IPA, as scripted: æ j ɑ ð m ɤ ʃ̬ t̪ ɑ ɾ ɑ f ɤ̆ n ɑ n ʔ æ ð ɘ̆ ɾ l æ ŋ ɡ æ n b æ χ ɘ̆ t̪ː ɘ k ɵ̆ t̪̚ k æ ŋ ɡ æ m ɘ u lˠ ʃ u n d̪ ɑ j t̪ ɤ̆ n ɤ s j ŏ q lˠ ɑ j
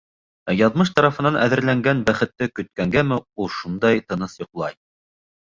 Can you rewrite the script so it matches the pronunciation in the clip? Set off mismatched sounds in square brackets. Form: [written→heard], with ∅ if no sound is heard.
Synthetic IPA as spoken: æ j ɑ ð m ɤ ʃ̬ t̪ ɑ ɾ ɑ f ɤ̆ n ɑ n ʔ æ ð ɘ̆ ɾ l æ ŋ ɡ æ n b æ χ ɘ̆ t̪ː ɘ k ɵ̆ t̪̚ k æ ŋ ɡ æ m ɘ u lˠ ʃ u n d̪ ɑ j t̪ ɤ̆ n ɤ s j ŏ q lˠ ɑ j